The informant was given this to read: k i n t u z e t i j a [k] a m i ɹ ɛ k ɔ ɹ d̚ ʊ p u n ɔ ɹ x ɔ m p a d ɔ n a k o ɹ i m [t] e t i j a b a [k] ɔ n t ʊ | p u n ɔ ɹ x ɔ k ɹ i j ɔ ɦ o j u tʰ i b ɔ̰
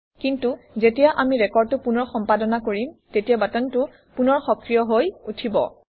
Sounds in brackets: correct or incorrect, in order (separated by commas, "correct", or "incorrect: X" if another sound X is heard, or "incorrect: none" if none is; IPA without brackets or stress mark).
incorrect: ʔ, correct, incorrect: t